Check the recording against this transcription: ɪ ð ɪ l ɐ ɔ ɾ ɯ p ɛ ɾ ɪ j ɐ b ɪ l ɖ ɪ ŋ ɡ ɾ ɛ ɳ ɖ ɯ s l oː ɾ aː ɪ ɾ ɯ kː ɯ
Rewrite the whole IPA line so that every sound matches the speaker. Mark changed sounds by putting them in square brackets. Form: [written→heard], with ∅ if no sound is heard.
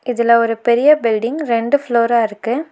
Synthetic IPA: ɪ ð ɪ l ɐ ɔ ɾ ɯ p ɛ ɾ ɪ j ɐ b ɪ l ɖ ɪ ŋ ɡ ɾ ɛ ɳ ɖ ɯ [s→f] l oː ɾ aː ɪ ɾ ɯ kː ɯ

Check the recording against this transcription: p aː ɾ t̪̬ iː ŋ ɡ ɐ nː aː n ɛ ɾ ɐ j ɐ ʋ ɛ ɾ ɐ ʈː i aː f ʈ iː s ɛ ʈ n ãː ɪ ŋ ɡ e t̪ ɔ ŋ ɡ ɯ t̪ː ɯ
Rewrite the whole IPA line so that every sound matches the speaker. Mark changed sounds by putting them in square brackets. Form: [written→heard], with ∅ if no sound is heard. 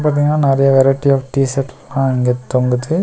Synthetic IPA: p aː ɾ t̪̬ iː ŋ ɡ ɐ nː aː n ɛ ɾ ɐ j ɐ ʋ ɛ ɾ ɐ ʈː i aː f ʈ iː s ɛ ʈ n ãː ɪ ŋ ɡ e t̪ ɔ ŋ ɡ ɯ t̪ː ɯ

